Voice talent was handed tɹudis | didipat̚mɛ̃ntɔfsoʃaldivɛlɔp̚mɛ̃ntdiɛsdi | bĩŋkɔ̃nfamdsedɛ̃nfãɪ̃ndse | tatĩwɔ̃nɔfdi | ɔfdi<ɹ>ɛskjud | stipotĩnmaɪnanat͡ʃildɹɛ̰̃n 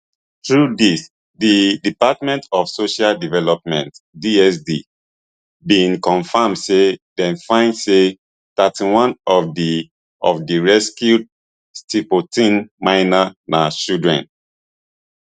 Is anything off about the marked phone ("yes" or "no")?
no